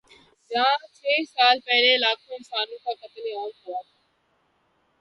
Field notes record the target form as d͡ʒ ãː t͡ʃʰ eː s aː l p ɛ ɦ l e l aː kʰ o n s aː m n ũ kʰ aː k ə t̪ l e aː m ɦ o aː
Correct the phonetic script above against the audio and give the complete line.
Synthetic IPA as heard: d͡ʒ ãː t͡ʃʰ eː s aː l p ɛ ɦ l e l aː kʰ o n s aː n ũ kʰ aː k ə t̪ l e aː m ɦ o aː